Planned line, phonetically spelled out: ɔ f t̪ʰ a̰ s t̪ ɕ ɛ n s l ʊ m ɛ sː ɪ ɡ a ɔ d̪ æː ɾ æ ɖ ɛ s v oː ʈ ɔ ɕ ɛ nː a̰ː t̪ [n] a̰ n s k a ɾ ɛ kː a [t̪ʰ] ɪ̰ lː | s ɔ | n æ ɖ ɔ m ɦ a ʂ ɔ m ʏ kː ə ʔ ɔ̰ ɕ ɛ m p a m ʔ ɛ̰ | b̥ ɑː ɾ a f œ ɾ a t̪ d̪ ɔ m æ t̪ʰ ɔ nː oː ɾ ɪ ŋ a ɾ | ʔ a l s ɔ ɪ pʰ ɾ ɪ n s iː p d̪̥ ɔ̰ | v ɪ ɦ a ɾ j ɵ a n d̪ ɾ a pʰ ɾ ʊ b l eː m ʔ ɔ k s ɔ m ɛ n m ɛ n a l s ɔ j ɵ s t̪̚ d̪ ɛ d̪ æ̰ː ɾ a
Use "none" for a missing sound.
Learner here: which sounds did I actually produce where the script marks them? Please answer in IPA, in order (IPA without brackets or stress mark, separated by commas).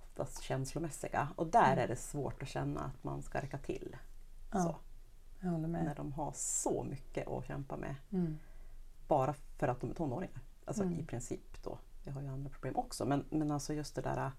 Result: m, t̪ʰ